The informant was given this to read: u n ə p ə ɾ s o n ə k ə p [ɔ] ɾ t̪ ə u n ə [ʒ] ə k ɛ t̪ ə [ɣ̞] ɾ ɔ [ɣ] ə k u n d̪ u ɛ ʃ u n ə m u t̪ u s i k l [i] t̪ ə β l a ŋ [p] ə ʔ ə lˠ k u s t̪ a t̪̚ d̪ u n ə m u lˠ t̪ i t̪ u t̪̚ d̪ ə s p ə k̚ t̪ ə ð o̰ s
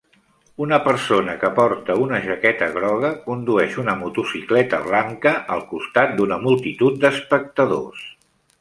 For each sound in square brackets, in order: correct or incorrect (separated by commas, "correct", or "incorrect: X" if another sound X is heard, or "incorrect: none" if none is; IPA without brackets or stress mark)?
correct, correct, correct, correct, incorrect: ɛ, incorrect: k